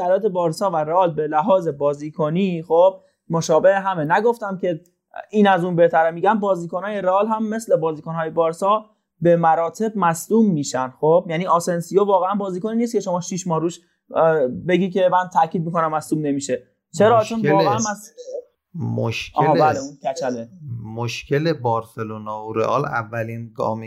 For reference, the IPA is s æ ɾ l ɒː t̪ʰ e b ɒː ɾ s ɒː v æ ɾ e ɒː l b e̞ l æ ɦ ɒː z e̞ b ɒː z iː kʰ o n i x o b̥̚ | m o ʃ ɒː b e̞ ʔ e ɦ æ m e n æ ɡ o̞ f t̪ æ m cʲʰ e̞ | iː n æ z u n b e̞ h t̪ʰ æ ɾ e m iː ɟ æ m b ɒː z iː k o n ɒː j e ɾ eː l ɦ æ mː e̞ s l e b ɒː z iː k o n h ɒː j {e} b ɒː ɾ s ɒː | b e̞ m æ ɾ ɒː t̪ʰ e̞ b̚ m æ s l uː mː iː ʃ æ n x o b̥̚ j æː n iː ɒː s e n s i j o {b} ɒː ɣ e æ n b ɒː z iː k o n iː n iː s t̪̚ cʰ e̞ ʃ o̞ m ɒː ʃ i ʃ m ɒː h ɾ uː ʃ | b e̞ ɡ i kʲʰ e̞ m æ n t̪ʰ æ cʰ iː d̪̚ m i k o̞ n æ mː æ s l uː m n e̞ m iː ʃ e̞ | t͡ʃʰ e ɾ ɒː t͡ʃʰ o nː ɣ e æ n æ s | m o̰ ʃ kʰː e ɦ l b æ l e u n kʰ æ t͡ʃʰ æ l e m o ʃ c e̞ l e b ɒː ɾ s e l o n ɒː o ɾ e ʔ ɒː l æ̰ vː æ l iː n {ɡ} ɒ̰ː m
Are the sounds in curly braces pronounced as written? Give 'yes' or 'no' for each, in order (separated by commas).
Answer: yes, no, yes